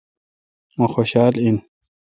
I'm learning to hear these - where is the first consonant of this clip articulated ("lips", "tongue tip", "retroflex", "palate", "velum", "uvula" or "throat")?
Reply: lips